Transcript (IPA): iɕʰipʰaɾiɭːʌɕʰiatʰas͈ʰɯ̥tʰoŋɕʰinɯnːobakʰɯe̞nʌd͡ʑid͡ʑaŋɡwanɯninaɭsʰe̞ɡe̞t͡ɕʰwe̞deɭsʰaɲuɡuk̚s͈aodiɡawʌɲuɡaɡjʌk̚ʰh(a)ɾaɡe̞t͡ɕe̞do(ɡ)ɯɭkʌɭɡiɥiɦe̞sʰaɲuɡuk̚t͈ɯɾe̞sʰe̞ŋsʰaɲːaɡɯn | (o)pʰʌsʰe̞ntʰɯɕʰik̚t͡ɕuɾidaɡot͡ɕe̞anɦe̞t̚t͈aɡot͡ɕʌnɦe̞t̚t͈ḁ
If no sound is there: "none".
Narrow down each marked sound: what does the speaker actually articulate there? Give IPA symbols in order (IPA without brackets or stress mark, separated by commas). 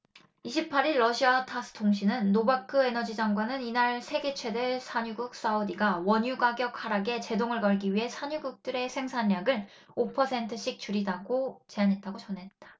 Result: a, ŋ, o